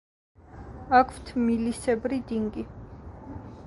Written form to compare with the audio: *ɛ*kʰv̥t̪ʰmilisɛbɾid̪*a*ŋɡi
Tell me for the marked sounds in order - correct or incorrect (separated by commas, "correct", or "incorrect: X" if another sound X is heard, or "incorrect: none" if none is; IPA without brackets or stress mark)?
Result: incorrect: a, incorrect: i